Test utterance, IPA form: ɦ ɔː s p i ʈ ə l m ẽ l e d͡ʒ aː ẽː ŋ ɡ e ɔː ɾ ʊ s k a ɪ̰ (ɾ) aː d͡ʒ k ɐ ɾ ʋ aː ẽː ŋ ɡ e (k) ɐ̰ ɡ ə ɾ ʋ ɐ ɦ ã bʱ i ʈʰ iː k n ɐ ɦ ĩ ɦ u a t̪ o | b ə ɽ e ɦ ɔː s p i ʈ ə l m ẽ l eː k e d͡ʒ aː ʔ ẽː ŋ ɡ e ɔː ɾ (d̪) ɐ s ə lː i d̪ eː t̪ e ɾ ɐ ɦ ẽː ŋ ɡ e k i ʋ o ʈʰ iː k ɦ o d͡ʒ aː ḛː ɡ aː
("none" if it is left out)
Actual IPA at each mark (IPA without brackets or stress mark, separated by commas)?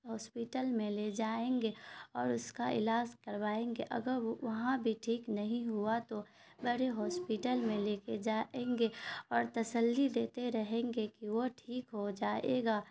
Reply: l, ʔ, t̪